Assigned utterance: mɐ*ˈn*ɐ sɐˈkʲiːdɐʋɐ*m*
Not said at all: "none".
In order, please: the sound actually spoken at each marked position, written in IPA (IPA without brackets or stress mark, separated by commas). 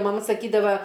m, none